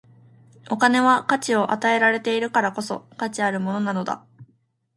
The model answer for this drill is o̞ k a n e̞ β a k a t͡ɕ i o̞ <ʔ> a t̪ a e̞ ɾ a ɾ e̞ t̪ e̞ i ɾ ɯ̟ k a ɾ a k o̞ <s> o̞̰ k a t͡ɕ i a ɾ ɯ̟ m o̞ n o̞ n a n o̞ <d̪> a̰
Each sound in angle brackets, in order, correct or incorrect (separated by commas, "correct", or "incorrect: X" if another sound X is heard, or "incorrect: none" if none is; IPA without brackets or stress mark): correct, correct, correct